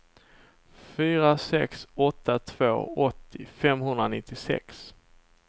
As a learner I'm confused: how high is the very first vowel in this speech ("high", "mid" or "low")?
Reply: high